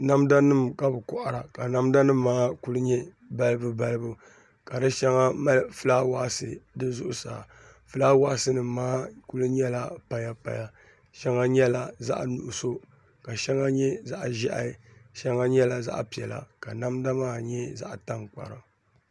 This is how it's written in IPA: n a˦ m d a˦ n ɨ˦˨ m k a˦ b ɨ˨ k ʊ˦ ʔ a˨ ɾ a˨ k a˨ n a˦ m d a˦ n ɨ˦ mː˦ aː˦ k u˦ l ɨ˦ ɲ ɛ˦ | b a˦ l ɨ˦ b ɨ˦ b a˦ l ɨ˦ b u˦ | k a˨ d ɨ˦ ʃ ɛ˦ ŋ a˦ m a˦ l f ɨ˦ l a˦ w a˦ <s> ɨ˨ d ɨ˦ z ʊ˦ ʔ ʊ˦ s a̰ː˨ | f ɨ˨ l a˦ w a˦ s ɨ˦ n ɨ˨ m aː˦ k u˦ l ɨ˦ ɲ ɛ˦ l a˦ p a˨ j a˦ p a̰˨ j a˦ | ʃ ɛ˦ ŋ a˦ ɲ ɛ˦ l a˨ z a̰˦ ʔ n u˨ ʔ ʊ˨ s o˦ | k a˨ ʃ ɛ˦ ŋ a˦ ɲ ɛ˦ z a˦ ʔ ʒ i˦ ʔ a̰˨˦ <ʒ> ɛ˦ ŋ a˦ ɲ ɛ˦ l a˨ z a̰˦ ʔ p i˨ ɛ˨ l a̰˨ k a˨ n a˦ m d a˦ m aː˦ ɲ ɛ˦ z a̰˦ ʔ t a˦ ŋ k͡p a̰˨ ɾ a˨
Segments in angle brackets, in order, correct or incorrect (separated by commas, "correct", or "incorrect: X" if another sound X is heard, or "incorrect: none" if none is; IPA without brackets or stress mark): correct, incorrect: ʃ